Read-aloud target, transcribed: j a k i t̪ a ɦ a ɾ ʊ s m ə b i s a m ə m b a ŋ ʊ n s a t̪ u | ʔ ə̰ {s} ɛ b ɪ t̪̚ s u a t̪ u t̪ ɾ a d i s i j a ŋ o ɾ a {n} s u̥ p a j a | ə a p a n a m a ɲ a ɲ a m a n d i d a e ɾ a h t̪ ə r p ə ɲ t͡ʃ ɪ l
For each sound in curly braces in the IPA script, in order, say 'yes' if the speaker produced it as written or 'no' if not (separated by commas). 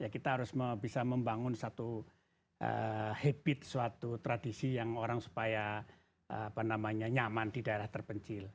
no, no